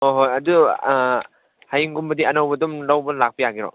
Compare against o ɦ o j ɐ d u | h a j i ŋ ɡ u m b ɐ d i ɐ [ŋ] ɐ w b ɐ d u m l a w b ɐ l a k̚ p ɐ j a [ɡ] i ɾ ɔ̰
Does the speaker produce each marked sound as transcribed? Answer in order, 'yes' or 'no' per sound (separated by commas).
no, yes